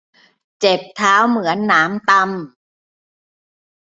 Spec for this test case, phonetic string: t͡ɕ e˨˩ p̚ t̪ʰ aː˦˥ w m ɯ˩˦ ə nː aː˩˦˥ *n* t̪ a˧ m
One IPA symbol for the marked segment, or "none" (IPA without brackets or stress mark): m